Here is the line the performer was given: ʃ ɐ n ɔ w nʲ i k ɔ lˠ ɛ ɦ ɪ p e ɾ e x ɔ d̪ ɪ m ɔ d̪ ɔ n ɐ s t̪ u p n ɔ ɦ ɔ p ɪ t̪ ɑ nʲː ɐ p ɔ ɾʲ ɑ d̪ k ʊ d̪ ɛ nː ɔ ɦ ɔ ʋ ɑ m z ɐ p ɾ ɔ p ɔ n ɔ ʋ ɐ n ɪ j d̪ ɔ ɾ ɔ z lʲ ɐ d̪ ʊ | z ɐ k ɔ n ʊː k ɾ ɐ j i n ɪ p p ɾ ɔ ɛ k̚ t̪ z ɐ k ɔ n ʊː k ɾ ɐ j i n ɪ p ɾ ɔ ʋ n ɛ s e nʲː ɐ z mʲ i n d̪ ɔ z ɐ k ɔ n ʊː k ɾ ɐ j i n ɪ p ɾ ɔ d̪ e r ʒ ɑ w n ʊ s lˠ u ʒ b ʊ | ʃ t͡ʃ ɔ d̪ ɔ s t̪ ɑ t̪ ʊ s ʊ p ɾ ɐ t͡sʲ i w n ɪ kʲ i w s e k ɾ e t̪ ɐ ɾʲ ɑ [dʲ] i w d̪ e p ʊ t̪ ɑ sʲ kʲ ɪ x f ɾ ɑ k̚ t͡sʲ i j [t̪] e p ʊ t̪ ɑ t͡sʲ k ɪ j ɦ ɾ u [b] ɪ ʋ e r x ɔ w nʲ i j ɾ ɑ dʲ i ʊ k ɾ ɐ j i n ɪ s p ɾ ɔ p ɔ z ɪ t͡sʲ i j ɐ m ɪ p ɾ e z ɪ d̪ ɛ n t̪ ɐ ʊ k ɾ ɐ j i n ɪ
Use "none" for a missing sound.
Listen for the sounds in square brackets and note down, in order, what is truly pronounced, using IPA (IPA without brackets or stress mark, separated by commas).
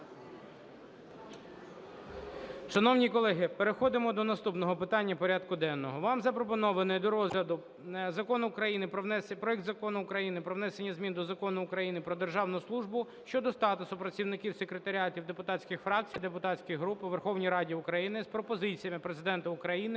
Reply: tʲ, d̪, p